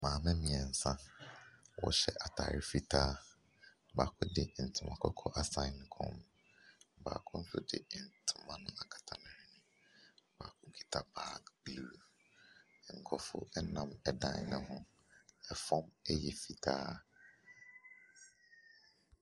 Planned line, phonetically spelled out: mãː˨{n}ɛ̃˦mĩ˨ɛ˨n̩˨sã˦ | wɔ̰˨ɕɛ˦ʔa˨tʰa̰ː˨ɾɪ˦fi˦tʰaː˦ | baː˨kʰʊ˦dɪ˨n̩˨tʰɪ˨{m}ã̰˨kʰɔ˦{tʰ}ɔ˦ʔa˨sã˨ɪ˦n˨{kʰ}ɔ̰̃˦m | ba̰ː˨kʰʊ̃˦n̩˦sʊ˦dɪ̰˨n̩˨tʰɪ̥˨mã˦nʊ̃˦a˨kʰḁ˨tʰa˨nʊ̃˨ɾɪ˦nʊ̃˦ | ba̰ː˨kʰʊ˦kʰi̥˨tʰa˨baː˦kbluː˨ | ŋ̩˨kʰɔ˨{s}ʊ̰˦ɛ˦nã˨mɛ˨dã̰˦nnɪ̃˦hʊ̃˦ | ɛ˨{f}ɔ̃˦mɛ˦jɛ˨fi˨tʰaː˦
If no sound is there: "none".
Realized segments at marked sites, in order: m, m, kʰ, kʰ, f, f

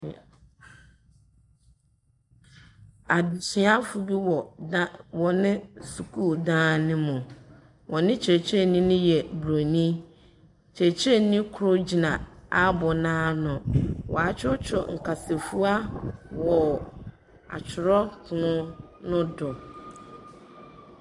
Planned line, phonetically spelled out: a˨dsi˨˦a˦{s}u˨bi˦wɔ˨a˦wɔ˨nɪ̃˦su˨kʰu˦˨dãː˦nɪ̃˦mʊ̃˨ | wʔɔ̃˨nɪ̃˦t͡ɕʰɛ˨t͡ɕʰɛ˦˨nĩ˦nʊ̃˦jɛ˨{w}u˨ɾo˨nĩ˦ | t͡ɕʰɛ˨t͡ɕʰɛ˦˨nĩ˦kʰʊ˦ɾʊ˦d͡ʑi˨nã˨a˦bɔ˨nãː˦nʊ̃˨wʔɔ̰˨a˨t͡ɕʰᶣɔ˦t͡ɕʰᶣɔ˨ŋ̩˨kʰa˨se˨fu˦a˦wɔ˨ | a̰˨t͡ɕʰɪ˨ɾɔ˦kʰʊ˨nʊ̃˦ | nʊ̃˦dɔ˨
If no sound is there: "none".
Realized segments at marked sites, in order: f, b

